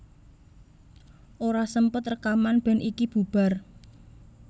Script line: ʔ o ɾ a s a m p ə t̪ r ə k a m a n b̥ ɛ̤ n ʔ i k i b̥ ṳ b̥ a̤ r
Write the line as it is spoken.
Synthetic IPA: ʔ o ɾ a s ə m p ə t̪ r ə k a m a n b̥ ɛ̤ n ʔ i k i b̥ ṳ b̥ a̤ r

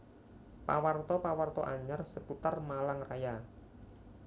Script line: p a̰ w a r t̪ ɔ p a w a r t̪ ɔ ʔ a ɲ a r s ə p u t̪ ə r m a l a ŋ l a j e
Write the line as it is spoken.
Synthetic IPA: p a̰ w a r t̪ ɔ p a w a r t̪ ɔ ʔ a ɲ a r s ə p u t̪ a r m a l a ŋ r a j a

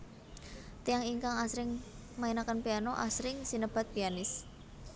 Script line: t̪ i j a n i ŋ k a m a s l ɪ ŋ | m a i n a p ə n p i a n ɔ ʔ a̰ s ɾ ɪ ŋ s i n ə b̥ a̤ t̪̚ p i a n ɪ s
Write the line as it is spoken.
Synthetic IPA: t̪ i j a ŋ i ŋ k a ŋ a s ɾ ɪ ŋ | m a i n a k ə n p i a n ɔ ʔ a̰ s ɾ ɪ ŋ s i n ə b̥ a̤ t̪̚ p i a n ɪ s

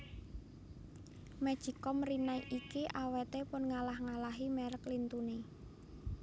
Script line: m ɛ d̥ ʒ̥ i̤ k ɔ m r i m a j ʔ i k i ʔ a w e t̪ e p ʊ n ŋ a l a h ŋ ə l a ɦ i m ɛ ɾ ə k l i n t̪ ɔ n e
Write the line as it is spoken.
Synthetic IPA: m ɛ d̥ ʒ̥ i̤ k ɔ m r i n a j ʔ i k i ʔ a w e t̪ e p ʊ n ŋ a l a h ŋ a l a ɦ i m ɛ ɾ ə k l i n t̪ u n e

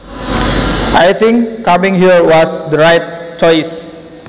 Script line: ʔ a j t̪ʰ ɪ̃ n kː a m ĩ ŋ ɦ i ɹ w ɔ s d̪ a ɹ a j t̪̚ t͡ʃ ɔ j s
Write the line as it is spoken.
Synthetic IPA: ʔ a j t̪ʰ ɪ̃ ŋ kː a m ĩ ŋ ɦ i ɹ w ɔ s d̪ ə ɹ a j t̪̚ t͡ʃ ɔ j s

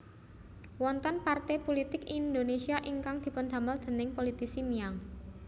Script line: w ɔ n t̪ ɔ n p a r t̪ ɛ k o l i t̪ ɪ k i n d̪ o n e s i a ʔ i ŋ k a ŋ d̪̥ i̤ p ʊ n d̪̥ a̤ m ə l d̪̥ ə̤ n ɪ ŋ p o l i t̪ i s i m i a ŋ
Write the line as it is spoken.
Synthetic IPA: w ɔ n t̪ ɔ n p a r t̪ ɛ p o l i t̪ ɪ k i n d̪ o n e s i a ʔ i ŋ k a ŋ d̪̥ i̤ p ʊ n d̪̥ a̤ m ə l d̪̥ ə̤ n ɪ ŋ p o l i t̪ i s i m i a ŋ

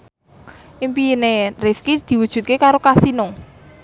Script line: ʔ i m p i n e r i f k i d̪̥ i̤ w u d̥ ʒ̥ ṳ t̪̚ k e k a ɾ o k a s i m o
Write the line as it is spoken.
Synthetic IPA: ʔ i m p i n e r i f k i d̪̥ i̤ w u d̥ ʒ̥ ṳ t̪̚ k e k a ɾ o k a s i n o

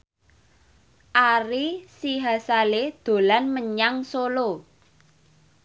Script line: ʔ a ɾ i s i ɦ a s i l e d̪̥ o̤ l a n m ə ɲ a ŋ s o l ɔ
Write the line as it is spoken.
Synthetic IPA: ʔ a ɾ i s i ɦ a s a l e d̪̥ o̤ l a n m ə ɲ a ŋ s o l o

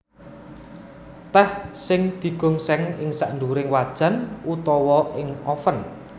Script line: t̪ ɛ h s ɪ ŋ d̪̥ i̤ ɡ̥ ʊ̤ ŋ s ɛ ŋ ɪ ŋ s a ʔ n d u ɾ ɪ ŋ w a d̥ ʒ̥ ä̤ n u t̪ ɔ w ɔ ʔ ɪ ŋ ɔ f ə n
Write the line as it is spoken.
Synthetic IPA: t̪ ɛ h s ɪ ŋ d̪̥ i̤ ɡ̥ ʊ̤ ŋ s ɛ ŋ ɪ ŋ s a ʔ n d u ɾ ɪ ŋ w a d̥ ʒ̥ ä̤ n u t̪ ɔ w ɔ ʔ ɪ ŋ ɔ f ə n

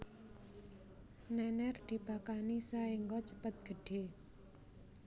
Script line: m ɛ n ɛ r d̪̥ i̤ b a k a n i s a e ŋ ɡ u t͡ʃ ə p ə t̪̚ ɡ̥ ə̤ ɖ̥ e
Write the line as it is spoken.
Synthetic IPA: n ɛ n ɛ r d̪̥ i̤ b a k a n i s a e ŋ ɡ ɔ t͡ʃ ə p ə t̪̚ ɡ̥ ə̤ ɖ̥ e

